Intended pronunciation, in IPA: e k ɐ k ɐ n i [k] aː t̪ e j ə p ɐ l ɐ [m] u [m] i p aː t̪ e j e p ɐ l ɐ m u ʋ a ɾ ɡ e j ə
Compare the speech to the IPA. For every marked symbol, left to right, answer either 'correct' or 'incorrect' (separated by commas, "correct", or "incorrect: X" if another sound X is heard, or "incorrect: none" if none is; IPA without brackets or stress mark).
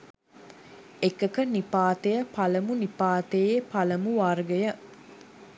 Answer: incorrect: p, correct, incorrect: n